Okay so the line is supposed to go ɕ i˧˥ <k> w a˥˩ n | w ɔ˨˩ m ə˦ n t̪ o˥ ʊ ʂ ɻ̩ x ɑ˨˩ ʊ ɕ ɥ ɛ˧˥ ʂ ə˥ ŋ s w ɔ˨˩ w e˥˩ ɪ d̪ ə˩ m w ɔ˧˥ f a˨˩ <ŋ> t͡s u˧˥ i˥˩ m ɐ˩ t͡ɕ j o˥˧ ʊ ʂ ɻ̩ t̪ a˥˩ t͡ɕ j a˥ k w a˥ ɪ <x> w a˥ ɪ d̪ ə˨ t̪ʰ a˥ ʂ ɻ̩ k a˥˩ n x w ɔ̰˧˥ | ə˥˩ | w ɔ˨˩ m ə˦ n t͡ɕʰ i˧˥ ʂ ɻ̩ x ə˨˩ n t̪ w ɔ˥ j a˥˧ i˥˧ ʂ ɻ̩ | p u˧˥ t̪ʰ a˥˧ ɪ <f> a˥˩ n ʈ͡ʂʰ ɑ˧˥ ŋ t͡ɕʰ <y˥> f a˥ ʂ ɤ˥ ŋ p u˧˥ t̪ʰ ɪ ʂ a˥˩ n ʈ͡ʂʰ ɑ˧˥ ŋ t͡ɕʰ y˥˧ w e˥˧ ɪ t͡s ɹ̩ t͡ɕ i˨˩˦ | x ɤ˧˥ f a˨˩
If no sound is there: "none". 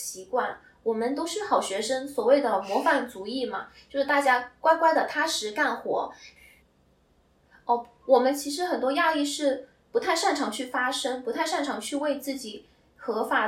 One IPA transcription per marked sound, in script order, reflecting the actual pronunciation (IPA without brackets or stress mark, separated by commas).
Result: k, n, k, ʂ, y˥˩